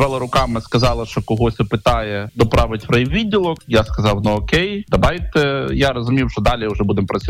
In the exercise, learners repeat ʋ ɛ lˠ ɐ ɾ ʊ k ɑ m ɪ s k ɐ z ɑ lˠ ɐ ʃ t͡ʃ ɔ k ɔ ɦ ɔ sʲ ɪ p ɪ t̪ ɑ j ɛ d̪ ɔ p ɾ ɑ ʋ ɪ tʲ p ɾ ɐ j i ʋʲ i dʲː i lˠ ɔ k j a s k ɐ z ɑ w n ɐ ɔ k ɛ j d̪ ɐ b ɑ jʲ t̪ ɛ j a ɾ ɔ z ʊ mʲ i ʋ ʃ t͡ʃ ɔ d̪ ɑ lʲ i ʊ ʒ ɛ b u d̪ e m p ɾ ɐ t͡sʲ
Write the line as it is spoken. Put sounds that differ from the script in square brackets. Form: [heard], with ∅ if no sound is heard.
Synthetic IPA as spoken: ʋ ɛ lˠ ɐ ɾ ʊ k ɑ m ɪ s k ɐ z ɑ lˠ ɐ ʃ t͡ʃ ɔ k ɔ ɦ ɔ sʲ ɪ p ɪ t̪ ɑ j ɛ d̪ ɔ p ɾ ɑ ʋ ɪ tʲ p ɾ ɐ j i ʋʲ i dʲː i lˠ ɔ k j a s k ɐ z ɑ w n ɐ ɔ k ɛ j d̪ ɐ b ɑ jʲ t̪ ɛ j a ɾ ɔ z ʊ mʲ i [w] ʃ t͡ʃ ɔ d̪ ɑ lʲ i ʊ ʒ ɛ b u d̪ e m p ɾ ɐ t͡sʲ